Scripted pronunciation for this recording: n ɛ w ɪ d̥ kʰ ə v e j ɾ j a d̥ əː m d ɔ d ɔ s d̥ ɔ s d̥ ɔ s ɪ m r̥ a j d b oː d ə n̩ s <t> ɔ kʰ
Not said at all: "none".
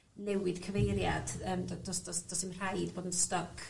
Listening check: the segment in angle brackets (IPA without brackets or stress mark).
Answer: t